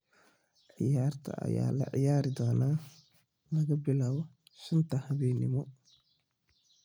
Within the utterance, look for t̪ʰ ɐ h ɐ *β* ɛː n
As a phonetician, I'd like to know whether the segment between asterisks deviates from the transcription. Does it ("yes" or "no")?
no